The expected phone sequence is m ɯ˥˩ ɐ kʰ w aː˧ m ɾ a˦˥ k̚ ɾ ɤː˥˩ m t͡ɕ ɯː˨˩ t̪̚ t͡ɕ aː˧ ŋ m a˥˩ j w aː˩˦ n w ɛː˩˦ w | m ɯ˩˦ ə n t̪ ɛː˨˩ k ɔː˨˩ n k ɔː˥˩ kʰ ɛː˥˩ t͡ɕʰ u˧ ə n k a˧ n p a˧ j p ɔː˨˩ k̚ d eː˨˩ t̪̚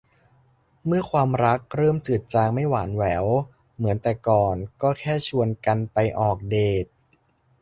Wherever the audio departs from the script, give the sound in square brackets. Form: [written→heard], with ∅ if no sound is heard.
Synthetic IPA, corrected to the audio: m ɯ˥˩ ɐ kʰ w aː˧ m ɾ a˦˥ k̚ ɾ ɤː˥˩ m t͡ɕ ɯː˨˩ t̪̚ t͡ɕ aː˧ ŋ m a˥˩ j w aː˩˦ n w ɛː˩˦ w | m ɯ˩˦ ə n t̪ ɛː˨˩ k ɔː˨˩ n k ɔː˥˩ kʰ ɛː˥˩ t͡ɕʰ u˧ ə n k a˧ n p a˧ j [p→ʔ] ɔː˨˩ k̚ d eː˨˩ t̪̚